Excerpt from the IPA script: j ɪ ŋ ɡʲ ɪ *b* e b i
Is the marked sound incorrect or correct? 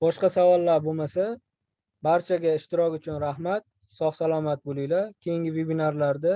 incorrect